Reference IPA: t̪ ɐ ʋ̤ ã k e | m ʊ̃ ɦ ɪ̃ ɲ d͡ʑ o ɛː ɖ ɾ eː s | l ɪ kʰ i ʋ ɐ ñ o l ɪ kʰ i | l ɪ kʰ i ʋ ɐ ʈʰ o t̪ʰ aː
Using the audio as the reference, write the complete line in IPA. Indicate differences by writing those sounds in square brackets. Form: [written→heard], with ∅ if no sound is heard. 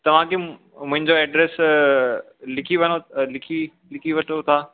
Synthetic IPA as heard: t̪ ɐ ʋ̤ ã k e | m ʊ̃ ɦ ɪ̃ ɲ d͡ʑ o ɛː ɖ ɾ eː s | l ɪ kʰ i ʋ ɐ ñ o l ɪ kʰ i | l ɪ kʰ i ʋ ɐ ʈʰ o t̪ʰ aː